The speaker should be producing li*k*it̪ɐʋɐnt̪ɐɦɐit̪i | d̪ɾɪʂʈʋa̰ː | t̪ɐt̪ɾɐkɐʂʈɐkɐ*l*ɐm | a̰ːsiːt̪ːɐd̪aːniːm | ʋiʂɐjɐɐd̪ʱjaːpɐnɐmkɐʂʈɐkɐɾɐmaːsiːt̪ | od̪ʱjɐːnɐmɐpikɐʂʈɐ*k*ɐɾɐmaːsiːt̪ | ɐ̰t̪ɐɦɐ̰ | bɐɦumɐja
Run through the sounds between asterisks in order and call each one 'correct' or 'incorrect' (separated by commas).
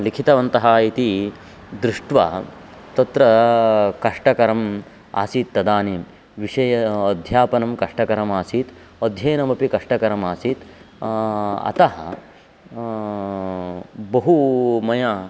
incorrect, incorrect, correct